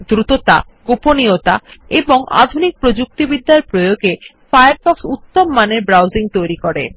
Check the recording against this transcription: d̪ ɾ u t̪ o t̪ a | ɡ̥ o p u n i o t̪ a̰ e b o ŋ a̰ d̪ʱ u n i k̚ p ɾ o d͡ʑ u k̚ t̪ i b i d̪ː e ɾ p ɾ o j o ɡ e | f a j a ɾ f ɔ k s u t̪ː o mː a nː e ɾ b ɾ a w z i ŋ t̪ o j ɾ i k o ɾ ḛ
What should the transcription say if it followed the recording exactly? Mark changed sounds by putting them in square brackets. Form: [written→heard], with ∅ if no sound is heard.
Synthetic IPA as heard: d̪ ɾ u t̪ o t̪ a | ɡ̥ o p [u→o] n i o t̪ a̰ e b o ŋ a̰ d̪ʱ u n i k̚ p ɾ o d͡ʑ u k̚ t̪ i b i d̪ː [e→a] ɾ p ɾ o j o ɡ e | f a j a ɾ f ɔ k s u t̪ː o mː a [nː→n] e ɾ b ɾ a w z i ŋ t̪ o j ɾ i k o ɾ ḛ